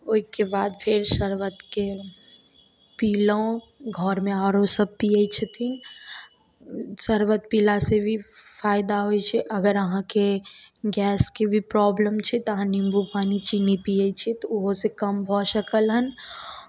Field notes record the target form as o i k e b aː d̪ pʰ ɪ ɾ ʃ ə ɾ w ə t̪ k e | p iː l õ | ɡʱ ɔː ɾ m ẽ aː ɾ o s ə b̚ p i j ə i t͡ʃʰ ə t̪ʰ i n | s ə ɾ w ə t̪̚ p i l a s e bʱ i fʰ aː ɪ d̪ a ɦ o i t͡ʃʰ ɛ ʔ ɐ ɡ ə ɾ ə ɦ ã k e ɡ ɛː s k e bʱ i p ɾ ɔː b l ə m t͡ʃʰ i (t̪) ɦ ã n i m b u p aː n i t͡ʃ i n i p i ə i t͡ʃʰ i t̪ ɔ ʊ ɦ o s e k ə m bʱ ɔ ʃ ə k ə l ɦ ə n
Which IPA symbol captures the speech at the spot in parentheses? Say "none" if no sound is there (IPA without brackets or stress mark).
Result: t̪